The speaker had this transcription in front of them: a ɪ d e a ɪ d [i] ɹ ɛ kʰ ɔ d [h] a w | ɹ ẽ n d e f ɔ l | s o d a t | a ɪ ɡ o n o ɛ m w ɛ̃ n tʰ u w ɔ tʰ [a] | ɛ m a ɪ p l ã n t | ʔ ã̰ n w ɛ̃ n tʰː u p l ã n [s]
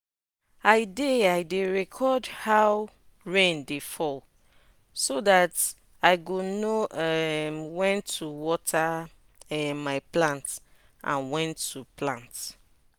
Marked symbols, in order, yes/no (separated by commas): no, yes, yes, no